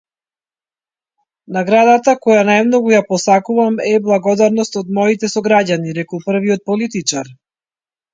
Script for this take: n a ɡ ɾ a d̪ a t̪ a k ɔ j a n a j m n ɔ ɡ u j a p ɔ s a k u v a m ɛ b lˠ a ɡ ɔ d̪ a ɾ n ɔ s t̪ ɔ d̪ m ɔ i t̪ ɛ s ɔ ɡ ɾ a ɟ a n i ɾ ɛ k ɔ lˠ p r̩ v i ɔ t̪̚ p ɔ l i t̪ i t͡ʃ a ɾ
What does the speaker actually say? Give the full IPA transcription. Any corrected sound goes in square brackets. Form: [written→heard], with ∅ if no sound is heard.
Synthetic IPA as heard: n a ɡ ɾ a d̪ a t̪ a k ɔ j a n a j m n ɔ ɡ u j a p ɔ s a k u v a m ɛ b lˠ a ɡ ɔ d̪ a ɾ n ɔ s t̪ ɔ d̪ m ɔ i t̪ ɛ s ɔ ɡ ɾ a ɟ a n i ɾ ɛ k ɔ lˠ p r̩ v i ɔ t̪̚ p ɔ l i t̪ i t͡ʃ a ɾ